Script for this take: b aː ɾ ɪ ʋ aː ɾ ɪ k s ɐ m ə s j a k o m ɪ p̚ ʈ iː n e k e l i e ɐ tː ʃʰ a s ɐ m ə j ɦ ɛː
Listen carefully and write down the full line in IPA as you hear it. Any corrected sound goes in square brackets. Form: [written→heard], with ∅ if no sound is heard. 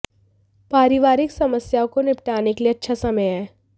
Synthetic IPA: [b→p] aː ɾ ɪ ʋ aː ɾ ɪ k s ɐ m ə s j a k o [m→n] ɪ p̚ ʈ [iː→aː] n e k e l i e ɐ tː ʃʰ a s ɐ m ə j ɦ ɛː

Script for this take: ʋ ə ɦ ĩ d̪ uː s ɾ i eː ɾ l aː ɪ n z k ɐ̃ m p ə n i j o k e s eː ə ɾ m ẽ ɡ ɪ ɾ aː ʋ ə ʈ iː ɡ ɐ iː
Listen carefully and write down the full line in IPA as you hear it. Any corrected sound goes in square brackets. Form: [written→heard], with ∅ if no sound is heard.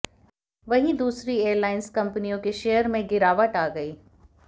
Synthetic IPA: ʋ [ə→ɐ] ɦ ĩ d̪ uː s ɾ i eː ɾ l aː ɪ n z k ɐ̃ m p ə n i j [o→õ] k e [s→ʃ] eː ə ɾ m ẽ ɡ ɪ ɾ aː ʋ ə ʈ [iː→aː] ɡ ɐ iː

